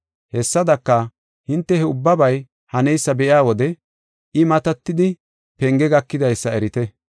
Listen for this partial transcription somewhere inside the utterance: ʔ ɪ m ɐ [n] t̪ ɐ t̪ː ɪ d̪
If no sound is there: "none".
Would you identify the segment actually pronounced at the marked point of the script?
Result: none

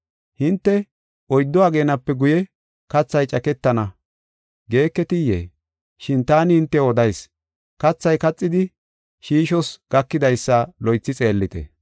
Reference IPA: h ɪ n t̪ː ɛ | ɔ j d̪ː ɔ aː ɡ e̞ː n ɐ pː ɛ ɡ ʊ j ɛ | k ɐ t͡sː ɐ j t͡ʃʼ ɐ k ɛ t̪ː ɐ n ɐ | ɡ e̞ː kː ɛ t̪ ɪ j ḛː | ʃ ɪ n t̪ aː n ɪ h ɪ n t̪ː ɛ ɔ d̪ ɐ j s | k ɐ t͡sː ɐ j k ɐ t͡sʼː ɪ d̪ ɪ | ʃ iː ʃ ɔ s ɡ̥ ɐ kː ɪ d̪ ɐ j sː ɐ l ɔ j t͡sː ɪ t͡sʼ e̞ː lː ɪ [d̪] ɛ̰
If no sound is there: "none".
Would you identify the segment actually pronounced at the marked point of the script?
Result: t̪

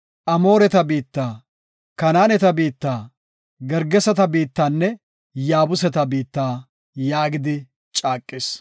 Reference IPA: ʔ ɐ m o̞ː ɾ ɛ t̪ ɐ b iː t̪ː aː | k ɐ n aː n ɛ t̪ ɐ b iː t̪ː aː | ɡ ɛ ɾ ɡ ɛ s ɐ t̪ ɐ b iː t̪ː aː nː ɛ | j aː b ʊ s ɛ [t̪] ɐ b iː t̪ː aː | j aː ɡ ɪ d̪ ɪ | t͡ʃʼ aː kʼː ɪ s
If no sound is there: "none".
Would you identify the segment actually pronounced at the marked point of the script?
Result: t̪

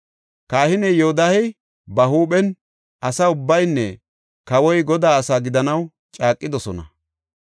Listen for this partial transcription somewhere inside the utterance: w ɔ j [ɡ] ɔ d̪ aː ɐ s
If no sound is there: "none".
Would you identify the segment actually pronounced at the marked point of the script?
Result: ɡ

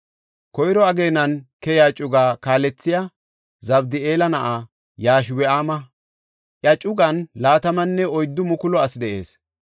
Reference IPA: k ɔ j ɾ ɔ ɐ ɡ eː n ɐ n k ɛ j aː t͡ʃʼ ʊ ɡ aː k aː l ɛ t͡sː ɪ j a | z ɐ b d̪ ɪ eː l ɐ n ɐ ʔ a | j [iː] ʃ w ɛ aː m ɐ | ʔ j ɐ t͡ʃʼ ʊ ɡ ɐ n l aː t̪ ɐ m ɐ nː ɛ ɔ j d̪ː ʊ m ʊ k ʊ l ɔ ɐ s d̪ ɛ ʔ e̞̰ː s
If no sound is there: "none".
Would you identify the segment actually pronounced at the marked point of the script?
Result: aː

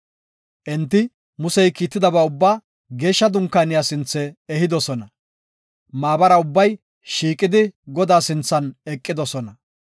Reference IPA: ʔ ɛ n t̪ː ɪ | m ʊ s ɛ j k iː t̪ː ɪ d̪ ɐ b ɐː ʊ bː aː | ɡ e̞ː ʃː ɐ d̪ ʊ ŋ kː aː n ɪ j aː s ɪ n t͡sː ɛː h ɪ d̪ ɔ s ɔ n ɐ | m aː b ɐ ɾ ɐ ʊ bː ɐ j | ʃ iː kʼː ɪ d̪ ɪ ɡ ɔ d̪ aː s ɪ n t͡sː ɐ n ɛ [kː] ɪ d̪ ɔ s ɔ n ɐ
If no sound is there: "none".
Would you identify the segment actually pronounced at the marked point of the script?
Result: kʼː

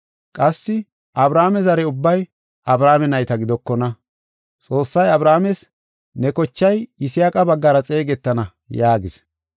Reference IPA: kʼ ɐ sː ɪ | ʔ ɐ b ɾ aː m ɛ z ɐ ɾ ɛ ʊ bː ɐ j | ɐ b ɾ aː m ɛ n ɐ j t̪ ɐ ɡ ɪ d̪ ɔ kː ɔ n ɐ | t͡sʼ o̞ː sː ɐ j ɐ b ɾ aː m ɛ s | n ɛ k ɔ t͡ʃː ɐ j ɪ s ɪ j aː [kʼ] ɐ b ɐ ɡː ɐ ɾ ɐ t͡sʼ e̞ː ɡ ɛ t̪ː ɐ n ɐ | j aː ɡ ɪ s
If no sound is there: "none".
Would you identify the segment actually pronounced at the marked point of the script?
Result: kʼ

